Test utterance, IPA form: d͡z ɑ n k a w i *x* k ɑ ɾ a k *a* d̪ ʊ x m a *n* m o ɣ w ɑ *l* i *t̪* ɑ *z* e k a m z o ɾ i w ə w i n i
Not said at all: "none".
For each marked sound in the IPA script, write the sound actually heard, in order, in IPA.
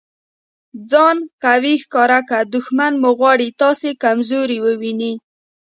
x, a, n, ɽ, t̪, s

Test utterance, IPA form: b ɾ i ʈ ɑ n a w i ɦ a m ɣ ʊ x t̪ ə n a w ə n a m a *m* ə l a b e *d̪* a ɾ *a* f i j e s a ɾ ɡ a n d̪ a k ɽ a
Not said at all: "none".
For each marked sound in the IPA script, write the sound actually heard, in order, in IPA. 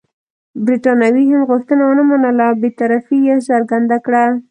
n, t̪, a

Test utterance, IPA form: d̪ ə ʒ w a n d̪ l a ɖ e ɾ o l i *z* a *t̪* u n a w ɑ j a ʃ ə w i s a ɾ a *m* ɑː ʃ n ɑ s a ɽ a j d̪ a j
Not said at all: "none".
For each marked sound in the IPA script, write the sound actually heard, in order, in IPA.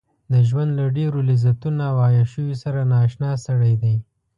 z, t̪, n

